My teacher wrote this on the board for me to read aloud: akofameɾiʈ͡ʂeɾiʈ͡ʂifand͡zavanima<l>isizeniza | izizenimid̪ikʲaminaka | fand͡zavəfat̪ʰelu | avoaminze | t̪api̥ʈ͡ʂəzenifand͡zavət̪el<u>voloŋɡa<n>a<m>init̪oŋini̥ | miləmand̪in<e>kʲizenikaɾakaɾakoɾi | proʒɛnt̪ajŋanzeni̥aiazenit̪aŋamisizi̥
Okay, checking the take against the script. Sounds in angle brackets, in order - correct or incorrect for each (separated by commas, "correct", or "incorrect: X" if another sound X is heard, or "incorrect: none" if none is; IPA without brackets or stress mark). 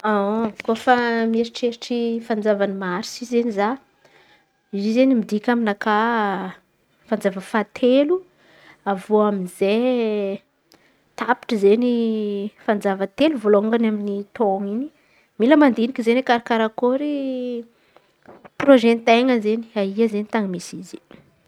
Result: incorrect: ɾ, correct, correct, correct, incorrect: i